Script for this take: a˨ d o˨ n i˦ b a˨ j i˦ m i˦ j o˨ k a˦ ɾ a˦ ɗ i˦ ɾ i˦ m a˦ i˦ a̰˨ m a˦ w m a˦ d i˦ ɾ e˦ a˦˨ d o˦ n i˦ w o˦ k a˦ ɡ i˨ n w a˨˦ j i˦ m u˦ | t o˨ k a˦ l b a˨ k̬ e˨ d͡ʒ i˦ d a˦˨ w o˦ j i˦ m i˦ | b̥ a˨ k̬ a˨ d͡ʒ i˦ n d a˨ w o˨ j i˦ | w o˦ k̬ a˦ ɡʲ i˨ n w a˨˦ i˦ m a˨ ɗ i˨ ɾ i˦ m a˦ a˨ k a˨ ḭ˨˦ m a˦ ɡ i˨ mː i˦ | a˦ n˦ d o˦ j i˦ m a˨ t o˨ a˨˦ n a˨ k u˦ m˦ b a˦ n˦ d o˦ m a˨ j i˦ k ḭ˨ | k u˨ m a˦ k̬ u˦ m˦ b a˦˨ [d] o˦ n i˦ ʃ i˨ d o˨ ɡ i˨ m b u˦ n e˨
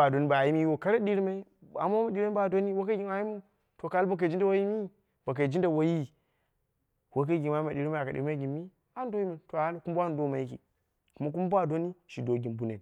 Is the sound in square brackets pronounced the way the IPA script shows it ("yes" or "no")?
yes